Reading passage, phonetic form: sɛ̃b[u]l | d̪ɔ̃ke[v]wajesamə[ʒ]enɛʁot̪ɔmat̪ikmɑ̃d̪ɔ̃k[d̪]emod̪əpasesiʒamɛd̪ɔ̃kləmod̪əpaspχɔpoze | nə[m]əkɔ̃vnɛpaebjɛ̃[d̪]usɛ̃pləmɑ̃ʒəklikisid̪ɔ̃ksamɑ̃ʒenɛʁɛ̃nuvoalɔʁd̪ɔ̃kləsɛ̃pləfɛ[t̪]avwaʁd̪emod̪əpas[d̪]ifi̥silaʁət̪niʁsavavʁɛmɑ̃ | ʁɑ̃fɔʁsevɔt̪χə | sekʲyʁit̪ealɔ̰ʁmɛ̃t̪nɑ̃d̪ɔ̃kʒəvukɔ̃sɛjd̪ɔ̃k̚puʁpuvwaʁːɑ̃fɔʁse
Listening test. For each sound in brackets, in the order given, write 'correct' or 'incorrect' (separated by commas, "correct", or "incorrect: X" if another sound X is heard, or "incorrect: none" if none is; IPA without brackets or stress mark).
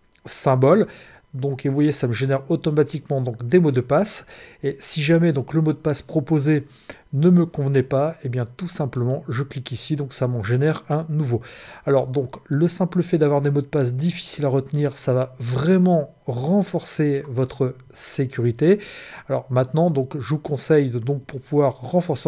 incorrect: ɔ, correct, correct, correct, correct, incorrect: t̪, incorrect: d̪, correct